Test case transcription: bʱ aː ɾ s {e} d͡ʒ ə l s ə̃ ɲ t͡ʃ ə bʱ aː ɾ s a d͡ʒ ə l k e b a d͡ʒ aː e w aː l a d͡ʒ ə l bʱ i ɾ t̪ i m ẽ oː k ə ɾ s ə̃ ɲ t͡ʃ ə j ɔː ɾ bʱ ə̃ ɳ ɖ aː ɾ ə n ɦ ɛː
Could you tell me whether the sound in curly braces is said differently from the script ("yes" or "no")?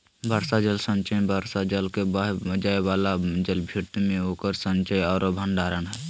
yes